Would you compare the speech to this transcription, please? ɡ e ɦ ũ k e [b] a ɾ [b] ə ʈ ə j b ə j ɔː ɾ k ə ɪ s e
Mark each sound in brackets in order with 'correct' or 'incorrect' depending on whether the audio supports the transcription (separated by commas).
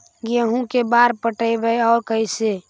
correct, incorrect